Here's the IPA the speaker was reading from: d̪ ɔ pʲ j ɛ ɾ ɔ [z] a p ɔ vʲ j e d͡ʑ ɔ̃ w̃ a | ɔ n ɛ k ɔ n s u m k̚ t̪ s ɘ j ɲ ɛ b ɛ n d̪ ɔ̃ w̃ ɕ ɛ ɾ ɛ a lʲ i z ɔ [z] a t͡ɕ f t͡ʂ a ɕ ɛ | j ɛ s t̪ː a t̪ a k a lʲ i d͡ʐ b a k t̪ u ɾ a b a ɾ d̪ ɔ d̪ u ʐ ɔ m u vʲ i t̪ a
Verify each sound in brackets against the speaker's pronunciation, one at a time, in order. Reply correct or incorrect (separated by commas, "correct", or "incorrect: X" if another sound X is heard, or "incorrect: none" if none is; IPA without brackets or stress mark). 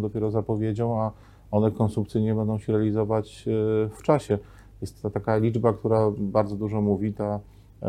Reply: correct, incorrect: v